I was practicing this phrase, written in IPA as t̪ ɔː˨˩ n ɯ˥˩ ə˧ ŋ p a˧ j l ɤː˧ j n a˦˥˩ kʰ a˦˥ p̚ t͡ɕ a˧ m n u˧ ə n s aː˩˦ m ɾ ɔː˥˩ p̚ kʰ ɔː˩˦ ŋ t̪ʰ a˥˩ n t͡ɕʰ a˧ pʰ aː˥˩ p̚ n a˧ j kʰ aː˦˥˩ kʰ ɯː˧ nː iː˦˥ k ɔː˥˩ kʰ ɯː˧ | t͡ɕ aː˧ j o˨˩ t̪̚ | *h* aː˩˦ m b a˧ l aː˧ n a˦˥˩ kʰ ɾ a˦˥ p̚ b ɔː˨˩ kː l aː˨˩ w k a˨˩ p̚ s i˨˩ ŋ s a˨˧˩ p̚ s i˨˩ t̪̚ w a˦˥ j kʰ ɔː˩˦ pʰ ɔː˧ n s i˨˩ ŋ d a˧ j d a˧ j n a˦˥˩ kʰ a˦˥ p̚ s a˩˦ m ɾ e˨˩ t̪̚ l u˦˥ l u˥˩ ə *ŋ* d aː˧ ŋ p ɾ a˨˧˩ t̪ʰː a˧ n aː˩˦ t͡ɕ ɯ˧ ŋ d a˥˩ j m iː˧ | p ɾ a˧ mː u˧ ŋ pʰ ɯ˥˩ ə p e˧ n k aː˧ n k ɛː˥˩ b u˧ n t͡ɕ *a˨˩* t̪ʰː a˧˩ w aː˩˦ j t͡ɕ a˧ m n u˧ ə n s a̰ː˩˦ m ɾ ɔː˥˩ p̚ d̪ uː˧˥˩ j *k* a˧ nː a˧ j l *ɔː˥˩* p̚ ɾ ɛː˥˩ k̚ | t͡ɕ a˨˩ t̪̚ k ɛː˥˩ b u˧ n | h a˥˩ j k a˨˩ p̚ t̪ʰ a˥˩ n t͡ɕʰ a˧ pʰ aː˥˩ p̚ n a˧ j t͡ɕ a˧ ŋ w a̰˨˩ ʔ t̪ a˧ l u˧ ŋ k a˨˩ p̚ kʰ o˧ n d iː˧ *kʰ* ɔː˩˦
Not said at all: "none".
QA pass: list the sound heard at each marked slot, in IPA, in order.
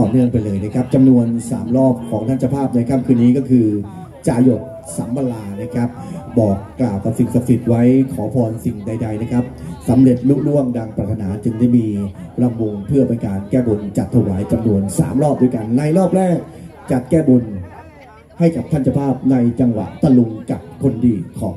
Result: s, ŋ, a˨˩, k, ɔː˥˩, kʰ

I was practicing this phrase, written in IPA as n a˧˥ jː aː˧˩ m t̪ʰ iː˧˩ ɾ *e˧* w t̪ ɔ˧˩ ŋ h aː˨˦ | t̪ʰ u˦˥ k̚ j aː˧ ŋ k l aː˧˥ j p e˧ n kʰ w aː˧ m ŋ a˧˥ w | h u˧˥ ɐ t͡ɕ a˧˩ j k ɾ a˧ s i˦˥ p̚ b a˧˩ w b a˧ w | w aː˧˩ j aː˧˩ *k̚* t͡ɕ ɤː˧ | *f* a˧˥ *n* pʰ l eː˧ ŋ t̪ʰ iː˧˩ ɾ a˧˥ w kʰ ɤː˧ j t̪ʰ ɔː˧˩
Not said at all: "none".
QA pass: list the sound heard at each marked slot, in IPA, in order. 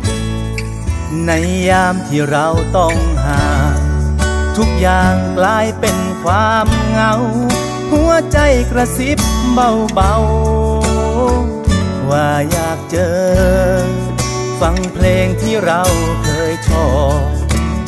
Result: a˧, k̚, f, ŋ

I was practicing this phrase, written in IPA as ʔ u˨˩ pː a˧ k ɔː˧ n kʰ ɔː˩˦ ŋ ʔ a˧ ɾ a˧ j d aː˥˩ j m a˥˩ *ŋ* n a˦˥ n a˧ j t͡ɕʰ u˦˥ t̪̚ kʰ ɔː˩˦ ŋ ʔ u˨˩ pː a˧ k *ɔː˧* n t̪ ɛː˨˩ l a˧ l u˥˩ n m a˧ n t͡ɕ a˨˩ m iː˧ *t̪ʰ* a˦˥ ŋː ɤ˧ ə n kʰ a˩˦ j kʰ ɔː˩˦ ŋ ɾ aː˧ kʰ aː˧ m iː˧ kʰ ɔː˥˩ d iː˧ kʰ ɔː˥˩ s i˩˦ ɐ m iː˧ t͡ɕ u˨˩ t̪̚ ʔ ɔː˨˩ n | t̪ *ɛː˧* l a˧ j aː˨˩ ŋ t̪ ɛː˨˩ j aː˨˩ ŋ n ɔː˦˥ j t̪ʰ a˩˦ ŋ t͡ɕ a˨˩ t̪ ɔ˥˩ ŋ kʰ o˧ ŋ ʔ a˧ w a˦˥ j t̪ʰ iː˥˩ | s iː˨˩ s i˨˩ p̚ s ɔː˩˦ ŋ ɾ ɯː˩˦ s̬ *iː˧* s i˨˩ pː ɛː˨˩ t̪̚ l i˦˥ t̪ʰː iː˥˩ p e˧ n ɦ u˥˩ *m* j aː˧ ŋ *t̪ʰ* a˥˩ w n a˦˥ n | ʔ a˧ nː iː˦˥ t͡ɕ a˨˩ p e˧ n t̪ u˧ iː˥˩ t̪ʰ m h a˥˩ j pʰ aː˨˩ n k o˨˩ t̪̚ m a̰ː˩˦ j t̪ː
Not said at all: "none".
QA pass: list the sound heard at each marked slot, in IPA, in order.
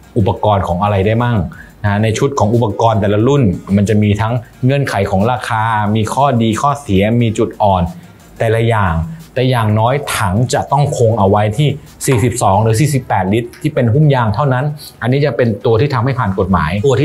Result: ŋ, ɔː˧, t̪ʰ, ɛː˨˩, iː˨˩, m, t̪ʰ

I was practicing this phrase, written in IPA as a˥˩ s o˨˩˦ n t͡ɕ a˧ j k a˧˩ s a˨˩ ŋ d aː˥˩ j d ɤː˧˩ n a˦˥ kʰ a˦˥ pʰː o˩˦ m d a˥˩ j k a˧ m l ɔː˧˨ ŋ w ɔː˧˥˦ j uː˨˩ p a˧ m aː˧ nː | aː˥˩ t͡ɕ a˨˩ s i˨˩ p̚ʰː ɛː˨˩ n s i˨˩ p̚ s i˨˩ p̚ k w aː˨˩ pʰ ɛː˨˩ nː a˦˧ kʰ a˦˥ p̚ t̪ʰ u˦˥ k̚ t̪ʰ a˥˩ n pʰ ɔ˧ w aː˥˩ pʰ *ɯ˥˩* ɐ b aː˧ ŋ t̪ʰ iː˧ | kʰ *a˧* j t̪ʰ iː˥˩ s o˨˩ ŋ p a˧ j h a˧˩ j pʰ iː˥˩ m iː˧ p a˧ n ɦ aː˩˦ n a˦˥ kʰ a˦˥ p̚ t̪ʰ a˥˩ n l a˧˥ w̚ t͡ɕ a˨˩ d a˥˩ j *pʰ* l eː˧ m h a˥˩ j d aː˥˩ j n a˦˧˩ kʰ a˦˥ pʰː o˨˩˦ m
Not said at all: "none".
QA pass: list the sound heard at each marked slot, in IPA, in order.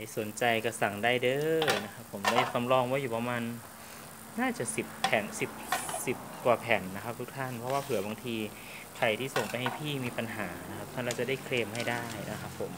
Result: ɯ˨˩˦, a˨˩, kʰ

